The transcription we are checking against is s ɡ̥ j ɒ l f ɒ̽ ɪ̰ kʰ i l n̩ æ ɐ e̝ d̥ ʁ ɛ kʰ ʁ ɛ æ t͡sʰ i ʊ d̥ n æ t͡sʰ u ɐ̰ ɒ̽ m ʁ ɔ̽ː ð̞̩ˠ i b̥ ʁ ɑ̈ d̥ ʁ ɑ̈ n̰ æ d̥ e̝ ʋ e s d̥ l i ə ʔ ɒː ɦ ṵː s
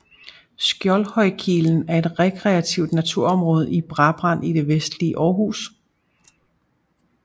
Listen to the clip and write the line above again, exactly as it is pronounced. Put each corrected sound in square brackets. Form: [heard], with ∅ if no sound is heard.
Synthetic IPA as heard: s ɡ̥ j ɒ l [h] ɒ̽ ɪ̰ kʰ i l n̩ æ ɐ e̝ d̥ ʁ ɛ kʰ ʁ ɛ æ t͡sʰ i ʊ d̥ n æ t͡sʰ u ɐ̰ ɒ̽ m ʁ ɔ̽ː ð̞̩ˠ i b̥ ʁ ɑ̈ [b̥] ʁ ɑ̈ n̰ [i] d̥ e̝ ʋ e s d̥ l i ə ʔ ɒː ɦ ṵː s